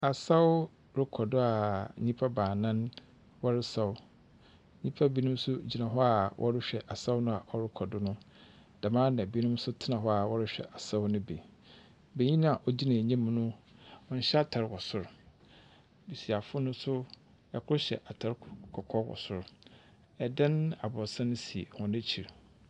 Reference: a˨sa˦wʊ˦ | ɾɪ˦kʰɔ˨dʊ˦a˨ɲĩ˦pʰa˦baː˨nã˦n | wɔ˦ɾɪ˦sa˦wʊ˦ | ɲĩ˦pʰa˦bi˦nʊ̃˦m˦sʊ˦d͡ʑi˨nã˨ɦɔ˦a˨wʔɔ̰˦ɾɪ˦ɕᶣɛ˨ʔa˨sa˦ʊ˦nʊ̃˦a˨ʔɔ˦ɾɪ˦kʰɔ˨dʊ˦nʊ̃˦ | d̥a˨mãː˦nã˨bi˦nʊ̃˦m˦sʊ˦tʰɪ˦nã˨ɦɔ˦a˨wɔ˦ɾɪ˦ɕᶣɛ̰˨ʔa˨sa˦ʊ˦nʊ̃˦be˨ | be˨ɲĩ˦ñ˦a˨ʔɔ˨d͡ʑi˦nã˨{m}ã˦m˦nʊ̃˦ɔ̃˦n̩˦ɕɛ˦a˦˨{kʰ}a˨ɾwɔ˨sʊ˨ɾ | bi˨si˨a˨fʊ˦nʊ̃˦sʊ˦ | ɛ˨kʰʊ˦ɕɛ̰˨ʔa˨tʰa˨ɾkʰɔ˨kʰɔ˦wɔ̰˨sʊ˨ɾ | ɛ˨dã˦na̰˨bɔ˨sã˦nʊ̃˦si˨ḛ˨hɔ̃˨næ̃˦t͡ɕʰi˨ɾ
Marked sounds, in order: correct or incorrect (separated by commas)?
incorrect, incorrect